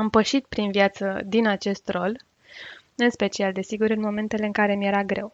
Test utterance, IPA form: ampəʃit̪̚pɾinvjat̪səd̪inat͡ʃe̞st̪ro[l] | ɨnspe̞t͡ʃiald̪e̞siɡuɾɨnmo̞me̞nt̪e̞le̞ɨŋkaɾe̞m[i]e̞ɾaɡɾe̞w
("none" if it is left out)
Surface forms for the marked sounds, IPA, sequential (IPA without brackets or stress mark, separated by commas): l, j